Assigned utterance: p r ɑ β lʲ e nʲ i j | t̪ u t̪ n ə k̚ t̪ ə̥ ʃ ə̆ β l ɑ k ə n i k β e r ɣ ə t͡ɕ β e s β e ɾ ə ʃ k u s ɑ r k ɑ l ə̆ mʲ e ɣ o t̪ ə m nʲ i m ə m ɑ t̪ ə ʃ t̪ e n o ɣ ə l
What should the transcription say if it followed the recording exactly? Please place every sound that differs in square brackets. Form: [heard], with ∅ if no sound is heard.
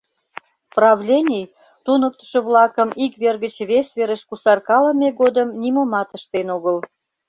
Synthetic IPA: p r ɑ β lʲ e nʲ i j | t̪ u [∅] n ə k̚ t̪ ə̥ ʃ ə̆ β l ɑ k ə [m] i k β e r ɣ ə t͡ɕ β e s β e ɾ ə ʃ k u s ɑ r k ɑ l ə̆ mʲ e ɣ o [d̪] ə m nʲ i m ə m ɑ t̪ ə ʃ t̪ e n o ɣ ə l